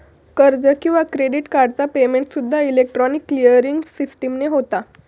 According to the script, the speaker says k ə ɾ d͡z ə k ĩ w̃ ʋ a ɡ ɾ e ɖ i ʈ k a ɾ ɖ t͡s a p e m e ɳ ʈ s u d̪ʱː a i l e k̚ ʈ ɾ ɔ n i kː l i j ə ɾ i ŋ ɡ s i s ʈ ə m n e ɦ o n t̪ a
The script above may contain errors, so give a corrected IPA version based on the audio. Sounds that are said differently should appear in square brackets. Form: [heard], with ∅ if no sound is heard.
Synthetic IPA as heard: k ə ɾ d͡z ə k ĩ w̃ ʋ a [k] ɾ e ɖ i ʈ k a ɾ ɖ t͡s a p e m e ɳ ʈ s u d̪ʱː a i l e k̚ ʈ ɾ ɔ n i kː l i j ə ɾ i ŋ ɡ s i s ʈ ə m n e ɦ o [∅] t̪ a